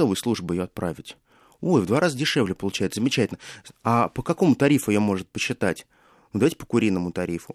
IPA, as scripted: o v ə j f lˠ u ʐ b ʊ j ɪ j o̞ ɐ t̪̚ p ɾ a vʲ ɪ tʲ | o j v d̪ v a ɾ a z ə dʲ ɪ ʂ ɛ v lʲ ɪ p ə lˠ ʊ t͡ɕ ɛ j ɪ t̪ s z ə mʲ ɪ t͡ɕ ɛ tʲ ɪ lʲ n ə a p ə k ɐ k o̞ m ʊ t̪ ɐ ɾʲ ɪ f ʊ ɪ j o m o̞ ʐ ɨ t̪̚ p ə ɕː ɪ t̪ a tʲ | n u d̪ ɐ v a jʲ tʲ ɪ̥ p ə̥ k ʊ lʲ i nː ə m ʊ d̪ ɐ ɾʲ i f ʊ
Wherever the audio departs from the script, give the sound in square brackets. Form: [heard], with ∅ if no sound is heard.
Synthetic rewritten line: o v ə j [s] lˠ u ʐ b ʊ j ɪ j o̞ ɐ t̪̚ p ɾ a vʲ ɪ tʲ | o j v d̪ v a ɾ a z ə dʲ ɪ ʂ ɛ v lʲ ɪ p ə lˠ ʊ t͡ɕ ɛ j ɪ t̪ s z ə mʲ ɪ t͡ɕ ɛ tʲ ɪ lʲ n ə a p ə k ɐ k o̞ m ʊ t̪ ɐ ɾʲ [i] f ʊ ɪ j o m o̞ ʐ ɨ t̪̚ p ə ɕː ɪ t̪ a tʲ | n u d̪ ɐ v a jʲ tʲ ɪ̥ p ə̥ k ʊ [ɾʲ] i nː ə m ʊ [t̪] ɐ ɾʲ i f ʊ